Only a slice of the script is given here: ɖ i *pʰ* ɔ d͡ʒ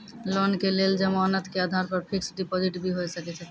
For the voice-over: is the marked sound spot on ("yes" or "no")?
no